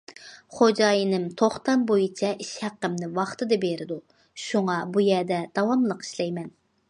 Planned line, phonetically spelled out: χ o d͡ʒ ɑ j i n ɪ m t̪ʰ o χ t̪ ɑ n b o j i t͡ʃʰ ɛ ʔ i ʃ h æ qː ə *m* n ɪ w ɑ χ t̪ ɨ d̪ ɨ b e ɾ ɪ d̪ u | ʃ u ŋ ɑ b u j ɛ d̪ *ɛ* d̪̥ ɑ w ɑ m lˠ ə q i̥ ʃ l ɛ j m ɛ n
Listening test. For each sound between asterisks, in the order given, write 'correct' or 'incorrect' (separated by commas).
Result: correct, correct